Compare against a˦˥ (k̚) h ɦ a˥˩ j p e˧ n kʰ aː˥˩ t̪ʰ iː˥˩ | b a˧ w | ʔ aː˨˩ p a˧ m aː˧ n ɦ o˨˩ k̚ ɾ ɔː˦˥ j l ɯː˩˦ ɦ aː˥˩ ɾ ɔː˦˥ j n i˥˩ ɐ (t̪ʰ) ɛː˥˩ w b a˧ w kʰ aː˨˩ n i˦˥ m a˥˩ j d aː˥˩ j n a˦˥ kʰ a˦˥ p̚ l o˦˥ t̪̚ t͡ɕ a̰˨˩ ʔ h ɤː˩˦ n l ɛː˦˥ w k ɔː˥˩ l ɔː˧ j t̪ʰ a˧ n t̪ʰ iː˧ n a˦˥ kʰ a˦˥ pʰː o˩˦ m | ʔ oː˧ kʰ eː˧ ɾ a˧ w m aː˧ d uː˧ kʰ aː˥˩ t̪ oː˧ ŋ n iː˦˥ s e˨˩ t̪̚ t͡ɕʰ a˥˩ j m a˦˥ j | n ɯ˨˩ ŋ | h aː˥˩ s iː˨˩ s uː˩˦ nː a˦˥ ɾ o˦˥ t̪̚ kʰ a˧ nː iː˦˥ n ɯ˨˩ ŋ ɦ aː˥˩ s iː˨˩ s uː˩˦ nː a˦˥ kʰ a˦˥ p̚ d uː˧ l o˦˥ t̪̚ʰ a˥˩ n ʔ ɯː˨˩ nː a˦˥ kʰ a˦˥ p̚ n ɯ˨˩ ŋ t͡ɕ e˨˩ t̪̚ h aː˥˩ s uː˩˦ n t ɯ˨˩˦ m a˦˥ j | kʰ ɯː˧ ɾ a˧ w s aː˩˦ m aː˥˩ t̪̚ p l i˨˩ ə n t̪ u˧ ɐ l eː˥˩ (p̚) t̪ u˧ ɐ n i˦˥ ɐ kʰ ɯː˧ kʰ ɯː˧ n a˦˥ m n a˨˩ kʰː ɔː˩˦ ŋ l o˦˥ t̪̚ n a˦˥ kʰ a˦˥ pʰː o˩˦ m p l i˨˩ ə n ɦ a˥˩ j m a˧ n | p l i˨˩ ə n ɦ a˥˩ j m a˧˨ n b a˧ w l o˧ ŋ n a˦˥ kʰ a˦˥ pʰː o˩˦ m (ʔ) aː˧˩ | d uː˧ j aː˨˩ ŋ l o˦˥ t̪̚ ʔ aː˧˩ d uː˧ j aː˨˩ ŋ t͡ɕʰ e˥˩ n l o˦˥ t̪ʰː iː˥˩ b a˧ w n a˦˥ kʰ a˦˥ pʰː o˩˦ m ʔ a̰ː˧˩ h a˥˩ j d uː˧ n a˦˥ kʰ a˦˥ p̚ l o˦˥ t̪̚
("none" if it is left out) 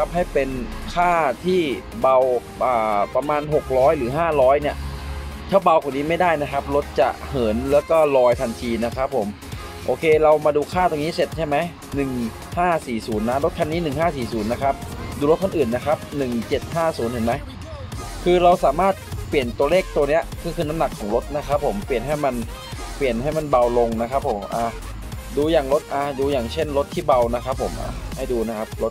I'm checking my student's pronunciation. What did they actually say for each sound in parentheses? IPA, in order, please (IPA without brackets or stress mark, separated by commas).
p̚, t̪ʰ, k̚, ʔ